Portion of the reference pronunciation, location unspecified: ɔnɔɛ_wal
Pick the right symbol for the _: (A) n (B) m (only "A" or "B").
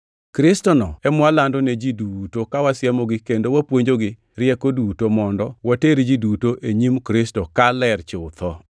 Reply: B